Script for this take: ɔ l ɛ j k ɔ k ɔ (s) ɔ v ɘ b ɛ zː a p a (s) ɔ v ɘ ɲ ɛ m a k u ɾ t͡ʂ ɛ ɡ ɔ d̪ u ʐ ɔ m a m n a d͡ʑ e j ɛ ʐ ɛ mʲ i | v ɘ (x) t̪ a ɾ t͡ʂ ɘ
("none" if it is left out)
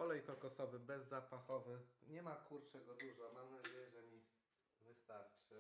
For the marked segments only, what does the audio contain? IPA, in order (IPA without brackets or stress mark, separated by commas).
s, x, s